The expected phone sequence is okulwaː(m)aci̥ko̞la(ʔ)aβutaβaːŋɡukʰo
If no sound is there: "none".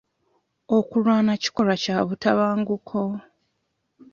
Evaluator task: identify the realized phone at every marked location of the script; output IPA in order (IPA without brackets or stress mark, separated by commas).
n, c